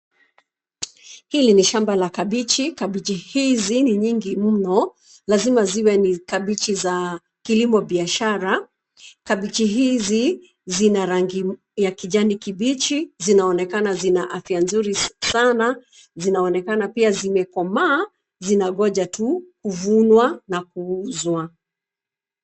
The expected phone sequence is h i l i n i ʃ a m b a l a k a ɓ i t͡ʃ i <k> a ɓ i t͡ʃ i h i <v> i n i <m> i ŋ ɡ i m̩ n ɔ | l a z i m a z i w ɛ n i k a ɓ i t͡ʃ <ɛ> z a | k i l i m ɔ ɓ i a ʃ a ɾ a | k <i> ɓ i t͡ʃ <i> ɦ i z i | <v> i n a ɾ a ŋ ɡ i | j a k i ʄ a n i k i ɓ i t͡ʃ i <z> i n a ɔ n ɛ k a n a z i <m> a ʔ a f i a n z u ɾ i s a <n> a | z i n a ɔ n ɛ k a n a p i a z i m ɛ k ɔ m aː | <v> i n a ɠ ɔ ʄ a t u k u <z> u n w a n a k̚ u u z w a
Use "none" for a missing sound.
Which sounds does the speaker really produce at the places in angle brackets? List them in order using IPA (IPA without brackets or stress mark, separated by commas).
k, z, ɲ, i, a, i, z, z, n, n, z, v